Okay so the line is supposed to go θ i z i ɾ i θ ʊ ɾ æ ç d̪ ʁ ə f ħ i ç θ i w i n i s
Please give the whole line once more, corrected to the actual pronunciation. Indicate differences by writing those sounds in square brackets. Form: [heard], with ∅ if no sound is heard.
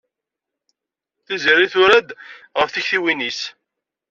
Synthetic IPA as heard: θ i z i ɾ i θ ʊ ɾ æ [∅] d̪ ʁ ə f [θ] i ç θ i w i n i s